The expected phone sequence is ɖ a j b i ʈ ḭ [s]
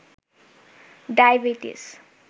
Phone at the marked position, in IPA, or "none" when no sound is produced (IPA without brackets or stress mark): s